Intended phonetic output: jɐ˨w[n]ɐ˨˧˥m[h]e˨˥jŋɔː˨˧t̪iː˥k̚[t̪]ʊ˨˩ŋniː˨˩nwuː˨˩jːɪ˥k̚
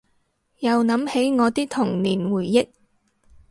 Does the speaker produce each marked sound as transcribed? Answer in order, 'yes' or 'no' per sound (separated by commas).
yes, yes, no